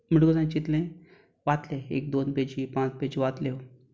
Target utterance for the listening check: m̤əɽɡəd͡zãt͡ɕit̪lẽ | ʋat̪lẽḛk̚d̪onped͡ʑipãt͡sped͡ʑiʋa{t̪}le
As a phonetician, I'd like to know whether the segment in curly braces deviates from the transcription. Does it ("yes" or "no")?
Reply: no